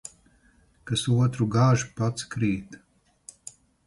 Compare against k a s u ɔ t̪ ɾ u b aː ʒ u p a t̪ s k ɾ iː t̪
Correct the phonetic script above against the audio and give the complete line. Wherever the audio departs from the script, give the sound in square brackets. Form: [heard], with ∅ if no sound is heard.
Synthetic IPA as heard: k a s u ɔ t̪ ɾ u [ɡ] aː ʒ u p a t̪ s k ɾ iː t̪